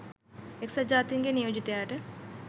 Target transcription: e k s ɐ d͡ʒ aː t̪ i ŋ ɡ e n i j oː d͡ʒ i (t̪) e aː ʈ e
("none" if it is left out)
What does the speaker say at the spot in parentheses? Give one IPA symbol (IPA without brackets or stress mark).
t̪